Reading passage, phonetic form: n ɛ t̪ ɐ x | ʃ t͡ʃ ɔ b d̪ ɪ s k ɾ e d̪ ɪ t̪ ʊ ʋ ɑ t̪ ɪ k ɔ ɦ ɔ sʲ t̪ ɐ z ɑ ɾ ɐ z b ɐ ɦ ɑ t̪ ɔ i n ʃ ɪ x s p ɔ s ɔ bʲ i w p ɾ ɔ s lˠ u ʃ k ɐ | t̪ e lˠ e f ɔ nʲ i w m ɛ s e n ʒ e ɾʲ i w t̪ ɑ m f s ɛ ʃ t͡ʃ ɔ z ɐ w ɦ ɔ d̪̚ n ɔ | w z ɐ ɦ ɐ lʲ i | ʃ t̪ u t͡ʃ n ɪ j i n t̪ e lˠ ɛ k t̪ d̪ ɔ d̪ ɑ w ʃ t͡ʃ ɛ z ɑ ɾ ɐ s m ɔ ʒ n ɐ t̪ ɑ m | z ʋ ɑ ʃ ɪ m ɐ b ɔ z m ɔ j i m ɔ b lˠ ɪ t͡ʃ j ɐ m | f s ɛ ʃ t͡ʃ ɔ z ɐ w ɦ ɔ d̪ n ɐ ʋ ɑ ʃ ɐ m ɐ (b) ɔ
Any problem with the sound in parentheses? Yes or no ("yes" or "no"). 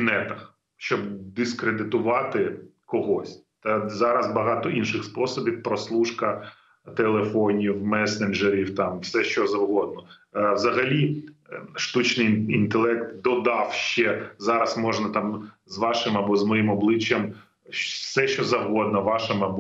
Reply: no